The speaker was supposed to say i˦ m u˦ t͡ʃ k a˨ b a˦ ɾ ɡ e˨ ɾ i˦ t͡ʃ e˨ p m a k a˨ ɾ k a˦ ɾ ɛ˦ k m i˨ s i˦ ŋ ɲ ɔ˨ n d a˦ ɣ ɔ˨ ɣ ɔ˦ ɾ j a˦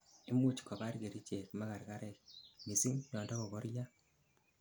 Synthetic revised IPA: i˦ m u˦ t͡ʃ k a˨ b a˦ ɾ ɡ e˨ ɾ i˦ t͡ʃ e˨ k m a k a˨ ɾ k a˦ ɾ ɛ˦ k m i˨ s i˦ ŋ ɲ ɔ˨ n d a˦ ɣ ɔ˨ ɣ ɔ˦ ɾ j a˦